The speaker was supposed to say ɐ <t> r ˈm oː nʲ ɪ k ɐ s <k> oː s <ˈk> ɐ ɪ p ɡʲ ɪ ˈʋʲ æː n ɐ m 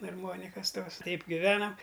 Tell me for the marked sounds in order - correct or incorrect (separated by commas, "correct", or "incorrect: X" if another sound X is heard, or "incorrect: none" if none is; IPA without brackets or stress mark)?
incorrect: none, incorrect: t, incorrect: t